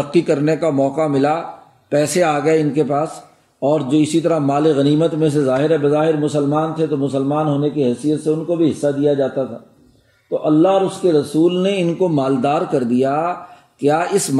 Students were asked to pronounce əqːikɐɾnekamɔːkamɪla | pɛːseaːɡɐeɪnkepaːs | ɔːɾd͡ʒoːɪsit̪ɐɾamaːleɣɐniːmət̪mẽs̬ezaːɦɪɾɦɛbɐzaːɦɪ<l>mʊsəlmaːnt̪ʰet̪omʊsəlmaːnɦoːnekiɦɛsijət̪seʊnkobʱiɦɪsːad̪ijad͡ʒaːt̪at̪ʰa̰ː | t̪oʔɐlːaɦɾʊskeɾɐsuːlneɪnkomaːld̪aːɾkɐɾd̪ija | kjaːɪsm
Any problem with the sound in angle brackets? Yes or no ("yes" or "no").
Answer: yes